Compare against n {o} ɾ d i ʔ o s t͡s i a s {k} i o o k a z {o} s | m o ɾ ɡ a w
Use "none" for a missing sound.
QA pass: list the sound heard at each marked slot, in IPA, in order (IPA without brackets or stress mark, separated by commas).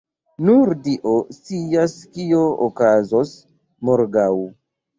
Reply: u, k, o